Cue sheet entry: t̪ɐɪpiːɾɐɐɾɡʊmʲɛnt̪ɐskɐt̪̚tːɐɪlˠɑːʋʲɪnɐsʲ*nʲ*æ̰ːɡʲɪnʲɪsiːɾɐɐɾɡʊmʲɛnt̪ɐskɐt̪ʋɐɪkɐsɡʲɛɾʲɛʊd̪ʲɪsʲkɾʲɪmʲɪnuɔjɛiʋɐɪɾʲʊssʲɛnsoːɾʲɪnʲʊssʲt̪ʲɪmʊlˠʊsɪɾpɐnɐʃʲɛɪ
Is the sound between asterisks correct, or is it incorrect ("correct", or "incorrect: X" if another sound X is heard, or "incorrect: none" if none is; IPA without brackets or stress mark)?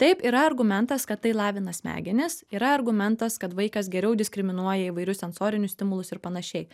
incorrect: mʲ